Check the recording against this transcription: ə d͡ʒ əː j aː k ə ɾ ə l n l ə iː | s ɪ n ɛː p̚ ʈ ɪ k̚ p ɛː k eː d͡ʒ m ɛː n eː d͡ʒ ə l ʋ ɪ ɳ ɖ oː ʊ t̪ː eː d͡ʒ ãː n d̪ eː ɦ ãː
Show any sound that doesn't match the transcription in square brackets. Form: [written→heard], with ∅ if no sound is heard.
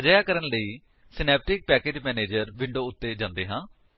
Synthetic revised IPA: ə d͡ʒ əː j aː k ə ɾ ə [l→∅] n l ə iː | s ɪ n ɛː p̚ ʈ ɪ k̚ p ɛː k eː d͡ʒ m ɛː n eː d͡ʒ ə [l→ɾ] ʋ ɪ ɳ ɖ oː ʊ t̪ː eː d͡ʒ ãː n d̪ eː ɦ ãː